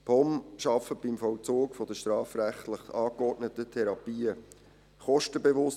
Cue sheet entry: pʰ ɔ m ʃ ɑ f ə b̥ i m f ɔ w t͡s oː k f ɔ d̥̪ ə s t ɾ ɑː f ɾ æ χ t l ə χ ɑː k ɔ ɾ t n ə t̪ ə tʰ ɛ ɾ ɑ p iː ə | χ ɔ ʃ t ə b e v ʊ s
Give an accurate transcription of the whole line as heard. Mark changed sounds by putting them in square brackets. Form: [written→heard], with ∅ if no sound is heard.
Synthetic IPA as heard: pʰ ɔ m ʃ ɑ f ə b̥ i m f ɔ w t͡s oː k f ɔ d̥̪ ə [s→ʃ] t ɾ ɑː f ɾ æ χ t l ə χ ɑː k ɔ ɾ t n ə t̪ ə tʰ ɛ ɾ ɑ p iː ə | χ ɔ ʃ t ə b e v ʊ s